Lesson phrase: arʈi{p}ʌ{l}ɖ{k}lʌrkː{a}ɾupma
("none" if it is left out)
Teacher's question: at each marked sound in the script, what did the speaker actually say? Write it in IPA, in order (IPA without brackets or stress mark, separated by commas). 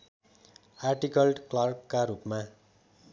k, l, k, a